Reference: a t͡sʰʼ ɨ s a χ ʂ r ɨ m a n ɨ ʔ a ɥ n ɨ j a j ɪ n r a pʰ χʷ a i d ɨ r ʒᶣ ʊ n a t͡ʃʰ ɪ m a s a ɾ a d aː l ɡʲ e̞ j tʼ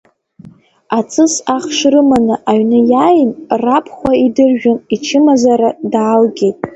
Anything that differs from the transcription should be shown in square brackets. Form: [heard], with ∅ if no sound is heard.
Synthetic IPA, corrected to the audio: a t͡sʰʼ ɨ s a χ ʂ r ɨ m a n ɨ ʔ a ɥ n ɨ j a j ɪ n r a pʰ χʷ a i d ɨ r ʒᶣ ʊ n [i] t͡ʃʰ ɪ m a [z] a ɾ a d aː l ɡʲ e̞ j tʼ